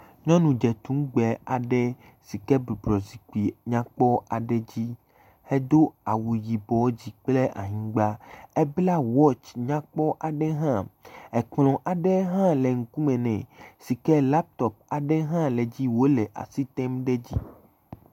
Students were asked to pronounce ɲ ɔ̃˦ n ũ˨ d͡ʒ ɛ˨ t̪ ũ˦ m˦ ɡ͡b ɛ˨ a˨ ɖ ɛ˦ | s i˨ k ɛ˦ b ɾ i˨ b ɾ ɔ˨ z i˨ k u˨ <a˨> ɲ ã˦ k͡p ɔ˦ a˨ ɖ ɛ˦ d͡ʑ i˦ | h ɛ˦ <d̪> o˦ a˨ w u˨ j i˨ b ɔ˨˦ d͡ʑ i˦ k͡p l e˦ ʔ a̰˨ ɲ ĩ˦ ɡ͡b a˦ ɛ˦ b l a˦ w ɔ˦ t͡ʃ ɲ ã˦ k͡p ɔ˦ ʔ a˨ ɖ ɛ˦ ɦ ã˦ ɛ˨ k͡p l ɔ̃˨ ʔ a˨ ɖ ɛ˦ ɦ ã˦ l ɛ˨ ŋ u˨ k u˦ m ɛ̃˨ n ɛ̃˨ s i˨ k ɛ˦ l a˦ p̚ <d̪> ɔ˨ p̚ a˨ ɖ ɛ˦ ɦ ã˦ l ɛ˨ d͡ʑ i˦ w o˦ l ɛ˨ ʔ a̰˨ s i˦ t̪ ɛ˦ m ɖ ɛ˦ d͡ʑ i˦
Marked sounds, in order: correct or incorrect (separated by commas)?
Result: incorrect, correct, incorrect